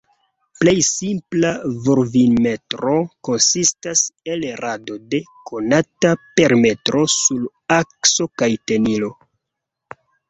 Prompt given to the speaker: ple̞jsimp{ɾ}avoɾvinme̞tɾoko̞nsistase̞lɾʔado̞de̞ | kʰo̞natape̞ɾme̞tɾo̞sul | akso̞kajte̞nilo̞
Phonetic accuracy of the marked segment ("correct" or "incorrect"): incorrect